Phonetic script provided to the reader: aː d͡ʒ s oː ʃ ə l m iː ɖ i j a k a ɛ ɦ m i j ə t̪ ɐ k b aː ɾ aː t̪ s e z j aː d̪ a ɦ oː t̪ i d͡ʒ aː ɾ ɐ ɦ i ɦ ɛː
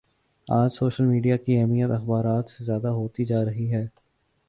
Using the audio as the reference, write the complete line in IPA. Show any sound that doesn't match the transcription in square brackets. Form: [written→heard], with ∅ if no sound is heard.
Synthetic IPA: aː d͡ʒ s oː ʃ ə l m iː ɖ i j a k [a→i] ɛ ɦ m i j ə t̪ ɐ [k→x] b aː ɾ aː t̪ s e z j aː d̪ a ɦ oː t̪ i d͡ʒ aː ɾ ɐ ɦ i ɦ ɛː